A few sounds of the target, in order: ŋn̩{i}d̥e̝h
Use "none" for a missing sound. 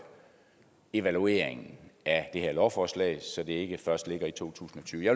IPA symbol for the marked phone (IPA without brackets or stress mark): æ